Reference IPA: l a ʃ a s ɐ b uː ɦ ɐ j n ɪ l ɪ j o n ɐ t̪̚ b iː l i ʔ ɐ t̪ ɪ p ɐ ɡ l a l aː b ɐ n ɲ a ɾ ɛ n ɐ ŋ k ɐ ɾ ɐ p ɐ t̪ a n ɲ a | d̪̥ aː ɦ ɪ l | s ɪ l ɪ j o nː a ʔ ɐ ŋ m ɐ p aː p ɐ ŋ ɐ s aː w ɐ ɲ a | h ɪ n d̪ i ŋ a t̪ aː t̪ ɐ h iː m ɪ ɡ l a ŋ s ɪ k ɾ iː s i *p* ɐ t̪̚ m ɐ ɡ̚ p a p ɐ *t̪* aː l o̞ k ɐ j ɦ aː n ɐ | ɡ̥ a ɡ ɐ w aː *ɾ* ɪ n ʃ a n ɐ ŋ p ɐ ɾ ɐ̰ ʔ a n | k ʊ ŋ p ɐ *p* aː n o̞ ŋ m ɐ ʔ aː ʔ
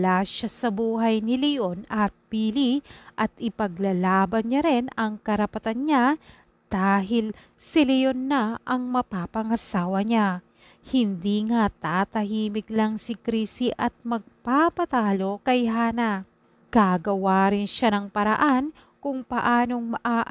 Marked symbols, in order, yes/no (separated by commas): no, yes, yes, no